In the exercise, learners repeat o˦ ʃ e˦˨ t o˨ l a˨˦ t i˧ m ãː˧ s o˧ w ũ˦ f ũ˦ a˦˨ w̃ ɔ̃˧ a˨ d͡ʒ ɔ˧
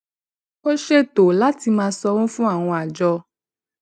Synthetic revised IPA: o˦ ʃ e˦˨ t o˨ l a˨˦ t i˧ m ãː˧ s ɔ˧ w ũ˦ f ũ˦ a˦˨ w̃ ɔ̃˧ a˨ d͡ʒ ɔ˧